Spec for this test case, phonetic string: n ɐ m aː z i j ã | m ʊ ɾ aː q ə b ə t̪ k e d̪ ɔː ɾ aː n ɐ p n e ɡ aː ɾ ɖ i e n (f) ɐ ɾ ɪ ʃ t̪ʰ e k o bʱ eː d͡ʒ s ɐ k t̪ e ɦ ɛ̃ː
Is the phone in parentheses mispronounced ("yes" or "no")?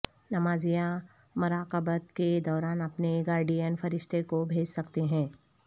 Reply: no